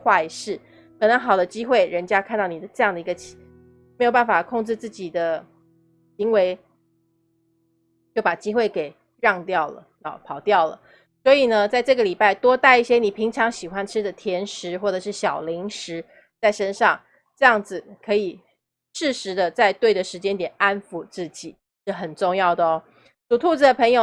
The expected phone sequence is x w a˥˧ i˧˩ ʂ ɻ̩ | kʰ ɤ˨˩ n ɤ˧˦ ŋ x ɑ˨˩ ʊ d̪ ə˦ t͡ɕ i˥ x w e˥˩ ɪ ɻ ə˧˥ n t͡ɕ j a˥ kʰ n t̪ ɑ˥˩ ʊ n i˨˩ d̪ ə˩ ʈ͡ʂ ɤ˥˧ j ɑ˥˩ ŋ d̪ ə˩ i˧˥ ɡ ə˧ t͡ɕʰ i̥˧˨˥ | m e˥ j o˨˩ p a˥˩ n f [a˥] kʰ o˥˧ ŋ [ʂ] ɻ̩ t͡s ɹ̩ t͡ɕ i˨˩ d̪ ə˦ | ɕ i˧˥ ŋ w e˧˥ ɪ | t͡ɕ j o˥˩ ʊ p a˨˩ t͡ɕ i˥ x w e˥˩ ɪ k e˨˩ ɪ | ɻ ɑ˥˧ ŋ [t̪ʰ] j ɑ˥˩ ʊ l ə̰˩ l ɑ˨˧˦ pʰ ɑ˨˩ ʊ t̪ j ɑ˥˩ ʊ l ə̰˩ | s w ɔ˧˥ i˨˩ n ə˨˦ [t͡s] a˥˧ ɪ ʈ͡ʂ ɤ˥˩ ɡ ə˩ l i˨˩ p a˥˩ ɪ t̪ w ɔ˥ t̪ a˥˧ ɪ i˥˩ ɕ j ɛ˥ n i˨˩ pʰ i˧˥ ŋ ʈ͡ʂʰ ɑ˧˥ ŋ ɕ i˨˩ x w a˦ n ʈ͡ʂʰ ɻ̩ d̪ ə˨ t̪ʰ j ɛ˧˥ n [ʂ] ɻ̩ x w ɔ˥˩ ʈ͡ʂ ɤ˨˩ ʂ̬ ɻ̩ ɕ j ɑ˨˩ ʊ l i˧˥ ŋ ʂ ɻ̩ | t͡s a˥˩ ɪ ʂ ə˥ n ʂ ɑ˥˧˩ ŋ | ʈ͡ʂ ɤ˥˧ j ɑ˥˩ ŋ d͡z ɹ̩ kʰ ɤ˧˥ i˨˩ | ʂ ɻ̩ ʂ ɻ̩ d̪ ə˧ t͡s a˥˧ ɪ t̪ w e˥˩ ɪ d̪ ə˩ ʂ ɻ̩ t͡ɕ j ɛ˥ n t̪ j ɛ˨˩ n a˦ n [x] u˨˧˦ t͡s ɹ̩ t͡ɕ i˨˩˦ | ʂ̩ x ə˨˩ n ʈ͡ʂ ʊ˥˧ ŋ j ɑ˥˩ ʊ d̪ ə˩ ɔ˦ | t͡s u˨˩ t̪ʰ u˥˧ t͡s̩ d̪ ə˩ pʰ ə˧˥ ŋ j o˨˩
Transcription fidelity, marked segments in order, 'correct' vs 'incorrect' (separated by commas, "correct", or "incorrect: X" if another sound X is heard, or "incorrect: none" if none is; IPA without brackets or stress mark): incorrect: a˨˩, incorrect: ʈ͡ʂ, incorrect: t̪, correct, correct, incorrect: f